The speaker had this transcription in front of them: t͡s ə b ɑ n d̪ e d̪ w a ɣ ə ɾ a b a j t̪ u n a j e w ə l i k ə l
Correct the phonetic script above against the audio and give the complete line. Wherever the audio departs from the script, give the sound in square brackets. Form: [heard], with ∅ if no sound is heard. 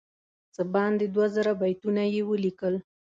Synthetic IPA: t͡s ə b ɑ n d̪ e d̪ w a [z] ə ɾ a b a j t̪ u n a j e w ə l i k ə l